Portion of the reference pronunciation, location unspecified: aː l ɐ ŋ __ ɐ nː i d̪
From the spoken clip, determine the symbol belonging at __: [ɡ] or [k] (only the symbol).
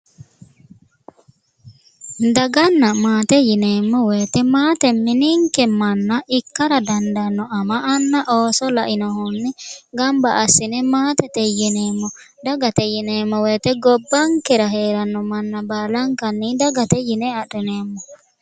k